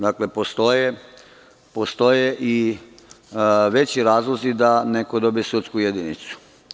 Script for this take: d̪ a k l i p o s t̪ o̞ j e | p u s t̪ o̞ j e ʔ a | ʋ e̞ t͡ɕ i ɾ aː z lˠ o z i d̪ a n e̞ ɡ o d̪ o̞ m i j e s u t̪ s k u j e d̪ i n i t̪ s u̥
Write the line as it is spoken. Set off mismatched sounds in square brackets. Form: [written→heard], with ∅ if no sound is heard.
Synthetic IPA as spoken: d̪ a k l [i→e] p o s t̪ o̞ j e | p [u→o] s t̪ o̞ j e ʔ [a→i] | ʋ e̞ t͡ɕ i ɾ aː z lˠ o z i d̪ a n e̞ [ɡ→k] o d̪ o̞ [m→b] i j e s u t̪ s k u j e d̪ i n i t̪ s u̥